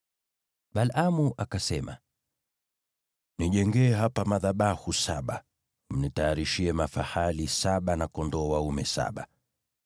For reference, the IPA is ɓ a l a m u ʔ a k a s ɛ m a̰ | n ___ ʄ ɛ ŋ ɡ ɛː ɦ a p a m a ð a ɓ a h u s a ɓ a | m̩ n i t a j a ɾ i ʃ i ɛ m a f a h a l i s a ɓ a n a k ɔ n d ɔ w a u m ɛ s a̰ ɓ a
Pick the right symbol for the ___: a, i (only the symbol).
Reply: i